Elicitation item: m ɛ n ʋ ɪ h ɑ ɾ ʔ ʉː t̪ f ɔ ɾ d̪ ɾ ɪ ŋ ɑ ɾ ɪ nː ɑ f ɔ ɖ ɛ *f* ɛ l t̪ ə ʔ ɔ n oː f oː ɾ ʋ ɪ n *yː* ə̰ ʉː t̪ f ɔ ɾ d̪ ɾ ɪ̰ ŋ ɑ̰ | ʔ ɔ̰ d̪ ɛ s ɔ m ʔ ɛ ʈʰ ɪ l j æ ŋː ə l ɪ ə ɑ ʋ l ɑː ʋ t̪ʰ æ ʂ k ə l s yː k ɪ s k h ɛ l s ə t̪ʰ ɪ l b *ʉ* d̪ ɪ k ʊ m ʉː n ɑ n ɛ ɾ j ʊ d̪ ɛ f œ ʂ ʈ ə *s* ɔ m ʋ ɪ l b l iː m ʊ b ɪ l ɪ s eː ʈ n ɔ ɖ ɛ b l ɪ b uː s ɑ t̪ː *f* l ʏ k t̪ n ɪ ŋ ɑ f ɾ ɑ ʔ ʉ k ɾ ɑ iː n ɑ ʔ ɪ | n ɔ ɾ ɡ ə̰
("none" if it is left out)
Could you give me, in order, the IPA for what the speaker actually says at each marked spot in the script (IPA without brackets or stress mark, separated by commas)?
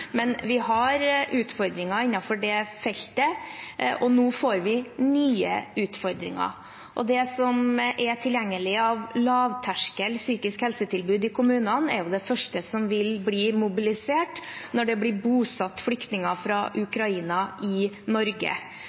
f, yː, ʉː, s, f